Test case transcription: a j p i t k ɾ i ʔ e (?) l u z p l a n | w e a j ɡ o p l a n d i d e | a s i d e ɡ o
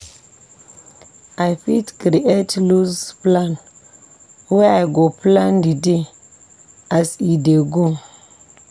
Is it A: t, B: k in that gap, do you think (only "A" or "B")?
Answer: A